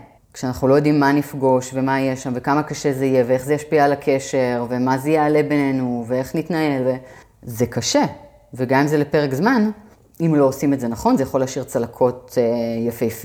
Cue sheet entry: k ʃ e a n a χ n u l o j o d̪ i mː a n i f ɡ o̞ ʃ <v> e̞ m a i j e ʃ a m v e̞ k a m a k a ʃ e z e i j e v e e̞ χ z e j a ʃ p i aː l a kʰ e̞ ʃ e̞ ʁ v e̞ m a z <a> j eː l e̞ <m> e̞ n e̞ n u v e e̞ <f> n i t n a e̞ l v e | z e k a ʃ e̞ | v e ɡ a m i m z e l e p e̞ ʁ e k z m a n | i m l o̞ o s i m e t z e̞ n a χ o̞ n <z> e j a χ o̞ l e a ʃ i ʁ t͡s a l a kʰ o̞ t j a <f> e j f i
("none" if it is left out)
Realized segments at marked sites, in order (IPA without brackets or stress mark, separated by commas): v, e, b, χ, z, f